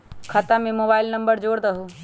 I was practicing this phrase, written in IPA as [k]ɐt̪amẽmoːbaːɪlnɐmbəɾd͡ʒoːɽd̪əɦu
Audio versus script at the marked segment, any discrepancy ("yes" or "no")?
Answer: yes